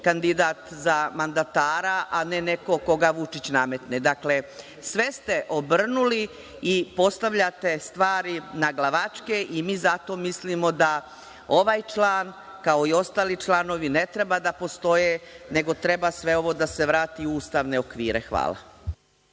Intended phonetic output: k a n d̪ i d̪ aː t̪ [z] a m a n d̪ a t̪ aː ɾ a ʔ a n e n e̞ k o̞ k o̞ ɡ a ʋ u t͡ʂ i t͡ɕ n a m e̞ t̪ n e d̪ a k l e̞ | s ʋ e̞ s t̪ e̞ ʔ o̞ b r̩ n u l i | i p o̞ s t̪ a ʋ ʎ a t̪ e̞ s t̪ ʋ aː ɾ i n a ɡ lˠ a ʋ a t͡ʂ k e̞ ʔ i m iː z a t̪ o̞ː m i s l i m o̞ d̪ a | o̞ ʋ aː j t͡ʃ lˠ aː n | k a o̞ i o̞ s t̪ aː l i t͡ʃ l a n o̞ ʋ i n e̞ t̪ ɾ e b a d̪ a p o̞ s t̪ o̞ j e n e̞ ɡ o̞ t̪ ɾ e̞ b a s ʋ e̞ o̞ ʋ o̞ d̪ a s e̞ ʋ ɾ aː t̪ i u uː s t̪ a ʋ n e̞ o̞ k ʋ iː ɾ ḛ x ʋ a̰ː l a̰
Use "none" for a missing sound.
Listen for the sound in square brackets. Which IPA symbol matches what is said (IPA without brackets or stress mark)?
z